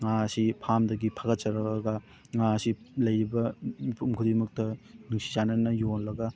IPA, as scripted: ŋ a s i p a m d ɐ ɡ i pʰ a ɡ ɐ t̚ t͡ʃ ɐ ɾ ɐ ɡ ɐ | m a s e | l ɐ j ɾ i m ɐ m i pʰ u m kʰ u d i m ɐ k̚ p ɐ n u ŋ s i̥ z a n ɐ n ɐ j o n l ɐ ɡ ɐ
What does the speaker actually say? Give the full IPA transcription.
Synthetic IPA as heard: ŋ a s i pʰ a m d ɐ ɡ i pʰ a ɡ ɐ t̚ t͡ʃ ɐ ɾ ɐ ɡ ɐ | ŋ a s i | l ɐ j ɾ i b ɐ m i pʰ u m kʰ u d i m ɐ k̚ t ɐ n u ŋ s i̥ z a n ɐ n ɐ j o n l ɐ ɡ ɐ